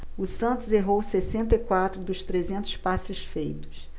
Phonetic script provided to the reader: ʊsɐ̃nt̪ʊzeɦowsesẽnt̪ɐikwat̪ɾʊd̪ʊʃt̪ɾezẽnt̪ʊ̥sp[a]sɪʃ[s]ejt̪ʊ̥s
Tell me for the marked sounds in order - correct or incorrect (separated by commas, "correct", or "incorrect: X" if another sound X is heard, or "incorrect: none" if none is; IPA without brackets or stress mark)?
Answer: correct, incorrect: f